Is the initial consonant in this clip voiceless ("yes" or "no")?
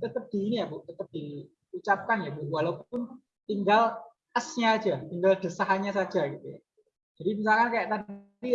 yes